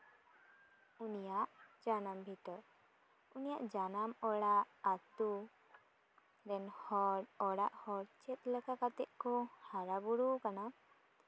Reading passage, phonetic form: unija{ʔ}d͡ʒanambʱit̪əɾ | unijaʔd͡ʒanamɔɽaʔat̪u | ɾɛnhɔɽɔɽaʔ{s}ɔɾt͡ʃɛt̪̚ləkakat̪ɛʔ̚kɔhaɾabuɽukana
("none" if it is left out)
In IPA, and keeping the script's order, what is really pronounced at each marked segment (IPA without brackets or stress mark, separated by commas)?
ʔ, h